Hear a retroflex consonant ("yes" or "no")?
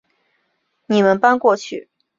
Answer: no